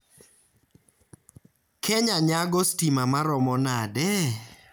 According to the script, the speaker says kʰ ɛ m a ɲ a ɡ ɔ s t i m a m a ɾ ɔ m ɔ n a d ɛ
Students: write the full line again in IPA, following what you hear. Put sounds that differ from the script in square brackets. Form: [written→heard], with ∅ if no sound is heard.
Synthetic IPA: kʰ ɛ [m→ɲ] a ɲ a ɡ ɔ s t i m a m a ɾ ɔ m ɔ n a d ɛ